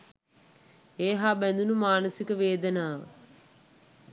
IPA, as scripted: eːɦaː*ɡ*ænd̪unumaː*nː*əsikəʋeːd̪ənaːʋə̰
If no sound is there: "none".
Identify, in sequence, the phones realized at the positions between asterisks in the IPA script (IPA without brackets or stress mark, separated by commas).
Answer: b, n